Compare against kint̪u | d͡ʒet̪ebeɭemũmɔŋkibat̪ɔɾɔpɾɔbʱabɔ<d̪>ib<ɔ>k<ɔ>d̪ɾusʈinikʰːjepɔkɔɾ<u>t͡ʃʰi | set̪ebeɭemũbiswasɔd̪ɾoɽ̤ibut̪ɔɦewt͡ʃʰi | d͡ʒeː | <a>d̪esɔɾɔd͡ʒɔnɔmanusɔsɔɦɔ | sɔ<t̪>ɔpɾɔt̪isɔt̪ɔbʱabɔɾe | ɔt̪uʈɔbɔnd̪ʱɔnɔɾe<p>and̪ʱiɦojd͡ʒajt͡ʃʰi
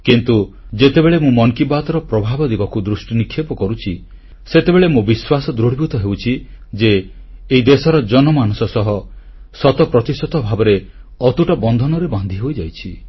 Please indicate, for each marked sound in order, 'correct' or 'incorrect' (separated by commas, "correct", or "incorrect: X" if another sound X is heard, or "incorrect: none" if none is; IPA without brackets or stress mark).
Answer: correct, correct, incorrect: u, correct, incorrect: i, correct, incorrect: b